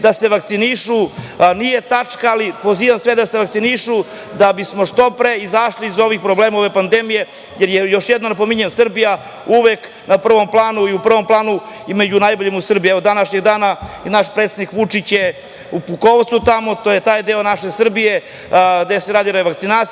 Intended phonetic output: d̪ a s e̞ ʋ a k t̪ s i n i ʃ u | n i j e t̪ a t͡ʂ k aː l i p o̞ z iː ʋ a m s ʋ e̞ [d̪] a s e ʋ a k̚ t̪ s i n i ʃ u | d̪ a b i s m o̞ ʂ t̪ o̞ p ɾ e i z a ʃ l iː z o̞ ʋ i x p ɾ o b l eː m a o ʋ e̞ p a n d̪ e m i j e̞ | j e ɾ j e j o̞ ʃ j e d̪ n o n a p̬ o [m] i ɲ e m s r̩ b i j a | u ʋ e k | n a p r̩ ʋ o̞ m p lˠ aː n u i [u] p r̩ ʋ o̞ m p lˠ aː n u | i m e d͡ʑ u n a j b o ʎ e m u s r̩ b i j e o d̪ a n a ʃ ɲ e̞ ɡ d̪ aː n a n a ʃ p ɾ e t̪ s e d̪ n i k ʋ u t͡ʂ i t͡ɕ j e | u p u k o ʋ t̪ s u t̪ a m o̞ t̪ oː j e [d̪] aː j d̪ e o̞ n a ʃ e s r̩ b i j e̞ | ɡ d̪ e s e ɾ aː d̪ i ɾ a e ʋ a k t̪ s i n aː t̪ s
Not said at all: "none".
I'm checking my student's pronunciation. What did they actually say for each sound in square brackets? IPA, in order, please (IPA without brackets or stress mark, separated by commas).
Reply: d̪, m, u, t̪